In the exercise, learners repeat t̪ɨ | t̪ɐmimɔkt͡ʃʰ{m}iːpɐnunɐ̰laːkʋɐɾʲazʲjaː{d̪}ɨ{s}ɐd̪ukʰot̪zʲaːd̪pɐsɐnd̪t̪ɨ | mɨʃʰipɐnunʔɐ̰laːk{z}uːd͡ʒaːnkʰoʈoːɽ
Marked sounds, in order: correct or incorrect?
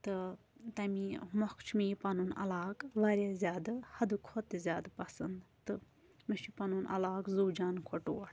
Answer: correct, correct, incorrect: h, correct

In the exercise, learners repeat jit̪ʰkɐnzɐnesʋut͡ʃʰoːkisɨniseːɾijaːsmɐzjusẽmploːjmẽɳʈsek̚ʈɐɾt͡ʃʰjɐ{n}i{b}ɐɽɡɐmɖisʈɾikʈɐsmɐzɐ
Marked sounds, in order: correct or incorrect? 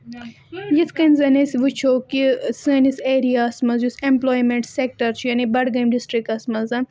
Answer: correct, correct

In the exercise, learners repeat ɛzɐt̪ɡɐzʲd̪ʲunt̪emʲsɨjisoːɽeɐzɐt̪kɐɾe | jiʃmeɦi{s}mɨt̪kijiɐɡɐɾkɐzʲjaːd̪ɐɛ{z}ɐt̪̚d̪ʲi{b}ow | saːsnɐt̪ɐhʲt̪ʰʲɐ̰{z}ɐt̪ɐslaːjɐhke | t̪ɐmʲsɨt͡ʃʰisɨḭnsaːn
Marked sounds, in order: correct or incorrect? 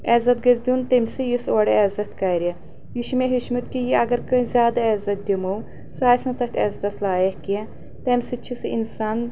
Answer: incorrect: ʃ, correct, incorrect: m, correct

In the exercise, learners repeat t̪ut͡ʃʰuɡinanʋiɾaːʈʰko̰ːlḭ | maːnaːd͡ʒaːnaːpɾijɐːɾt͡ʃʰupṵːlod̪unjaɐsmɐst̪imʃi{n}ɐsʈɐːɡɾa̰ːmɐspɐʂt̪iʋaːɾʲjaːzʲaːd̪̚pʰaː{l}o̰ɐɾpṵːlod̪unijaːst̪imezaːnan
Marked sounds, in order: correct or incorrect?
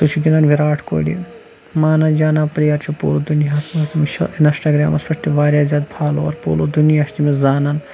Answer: correct, correct

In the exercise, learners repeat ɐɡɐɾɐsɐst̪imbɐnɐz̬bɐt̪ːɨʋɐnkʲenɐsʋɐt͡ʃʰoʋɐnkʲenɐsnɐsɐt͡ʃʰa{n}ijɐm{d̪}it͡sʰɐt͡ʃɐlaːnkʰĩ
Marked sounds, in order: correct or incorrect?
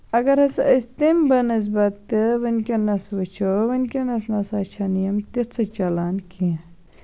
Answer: correct, incorrect: t̪

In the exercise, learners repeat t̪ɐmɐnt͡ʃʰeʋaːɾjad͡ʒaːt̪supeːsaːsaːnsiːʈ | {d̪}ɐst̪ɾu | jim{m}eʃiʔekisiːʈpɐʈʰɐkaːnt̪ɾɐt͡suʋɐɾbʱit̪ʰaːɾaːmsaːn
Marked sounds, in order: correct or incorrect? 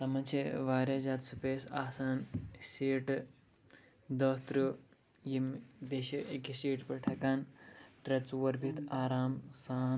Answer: correct, incorrect: b

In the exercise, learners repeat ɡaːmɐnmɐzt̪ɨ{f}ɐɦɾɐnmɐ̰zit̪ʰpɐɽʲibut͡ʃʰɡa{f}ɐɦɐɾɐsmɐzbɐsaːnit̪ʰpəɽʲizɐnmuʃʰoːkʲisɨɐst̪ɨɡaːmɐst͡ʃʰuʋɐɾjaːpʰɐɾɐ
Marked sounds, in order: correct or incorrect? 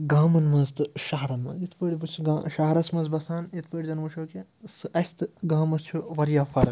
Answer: incorrect: ʃ, incorrect: ʃ

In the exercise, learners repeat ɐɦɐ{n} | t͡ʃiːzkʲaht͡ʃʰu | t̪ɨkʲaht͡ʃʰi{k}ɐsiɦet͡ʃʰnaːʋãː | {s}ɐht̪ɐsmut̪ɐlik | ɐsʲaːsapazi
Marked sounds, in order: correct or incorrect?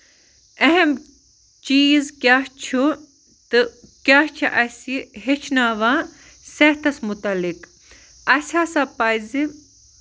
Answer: incorrect: m, incorrect: ʔ, correct

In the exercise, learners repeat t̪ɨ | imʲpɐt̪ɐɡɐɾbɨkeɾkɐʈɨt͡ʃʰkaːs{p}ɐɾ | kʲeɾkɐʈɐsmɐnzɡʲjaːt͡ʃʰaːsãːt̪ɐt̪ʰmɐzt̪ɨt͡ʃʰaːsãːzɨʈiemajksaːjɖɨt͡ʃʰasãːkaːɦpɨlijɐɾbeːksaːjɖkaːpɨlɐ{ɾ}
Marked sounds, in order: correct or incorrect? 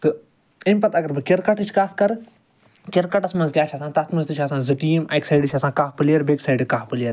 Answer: incorrect: k, correct

